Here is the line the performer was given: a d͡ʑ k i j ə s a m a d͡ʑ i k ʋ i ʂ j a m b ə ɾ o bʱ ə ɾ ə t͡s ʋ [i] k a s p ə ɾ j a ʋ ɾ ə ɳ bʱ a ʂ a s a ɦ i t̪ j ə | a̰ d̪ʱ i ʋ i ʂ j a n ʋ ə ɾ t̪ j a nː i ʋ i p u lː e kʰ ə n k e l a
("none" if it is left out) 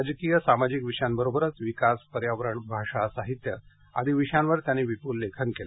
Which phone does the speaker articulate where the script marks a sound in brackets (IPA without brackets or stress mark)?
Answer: i